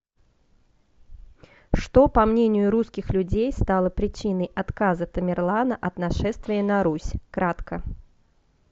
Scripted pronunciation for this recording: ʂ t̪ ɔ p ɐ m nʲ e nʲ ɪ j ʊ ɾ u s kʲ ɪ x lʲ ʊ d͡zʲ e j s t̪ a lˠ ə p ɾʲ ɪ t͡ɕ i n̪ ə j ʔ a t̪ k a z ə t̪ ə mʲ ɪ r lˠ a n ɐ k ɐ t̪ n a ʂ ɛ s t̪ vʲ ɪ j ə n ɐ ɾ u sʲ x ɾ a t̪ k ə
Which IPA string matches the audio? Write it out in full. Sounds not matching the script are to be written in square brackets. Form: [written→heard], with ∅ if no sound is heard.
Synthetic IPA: ʂ t̪ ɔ p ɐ m nʲ e nʲ ɪ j ʊ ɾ u s kʲ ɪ x lʲ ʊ d͡zʲ e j s t̪ a lˠ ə p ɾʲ ɪ t͡ɕ i n̪ ə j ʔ a t̪ k a z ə t̪ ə mʲ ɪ r lˠ a n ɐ [k→ʔ] ɐ t̪ n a ʂ ɛ s t̪ vʲ ɪ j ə n ɐ ɾ u sʲ [x→k] ɾ a t̪ k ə